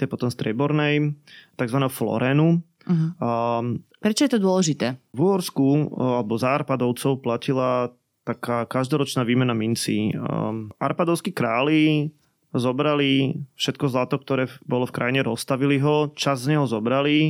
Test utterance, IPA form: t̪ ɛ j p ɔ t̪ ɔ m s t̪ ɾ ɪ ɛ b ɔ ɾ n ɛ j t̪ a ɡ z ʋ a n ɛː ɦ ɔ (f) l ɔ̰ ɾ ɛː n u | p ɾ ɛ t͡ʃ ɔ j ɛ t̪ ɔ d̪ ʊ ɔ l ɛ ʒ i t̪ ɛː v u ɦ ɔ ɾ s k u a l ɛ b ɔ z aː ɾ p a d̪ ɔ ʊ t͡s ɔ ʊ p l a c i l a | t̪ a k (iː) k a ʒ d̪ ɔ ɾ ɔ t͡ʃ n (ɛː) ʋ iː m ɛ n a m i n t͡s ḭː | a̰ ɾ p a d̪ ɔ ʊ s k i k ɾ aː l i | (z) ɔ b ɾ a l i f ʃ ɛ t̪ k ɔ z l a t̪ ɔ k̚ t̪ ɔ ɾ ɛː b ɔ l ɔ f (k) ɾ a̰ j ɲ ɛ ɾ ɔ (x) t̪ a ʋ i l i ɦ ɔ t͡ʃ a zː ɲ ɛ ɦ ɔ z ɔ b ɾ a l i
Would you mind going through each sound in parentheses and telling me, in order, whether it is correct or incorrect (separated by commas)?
correct, incorrect, incorrect, correct, correct, incorrect